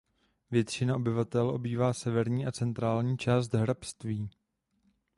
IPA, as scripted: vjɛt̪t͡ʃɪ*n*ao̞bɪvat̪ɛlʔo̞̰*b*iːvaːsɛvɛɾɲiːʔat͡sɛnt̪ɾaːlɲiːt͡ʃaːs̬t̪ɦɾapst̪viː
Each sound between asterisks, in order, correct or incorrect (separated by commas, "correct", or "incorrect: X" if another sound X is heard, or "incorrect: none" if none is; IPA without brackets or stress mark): correct, correct